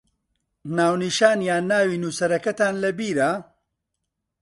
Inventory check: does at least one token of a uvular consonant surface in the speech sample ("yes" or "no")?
no